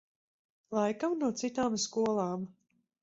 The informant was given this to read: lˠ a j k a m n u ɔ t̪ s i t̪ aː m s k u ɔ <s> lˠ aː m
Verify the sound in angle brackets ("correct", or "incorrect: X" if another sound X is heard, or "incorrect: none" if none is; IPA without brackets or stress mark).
incorrect: none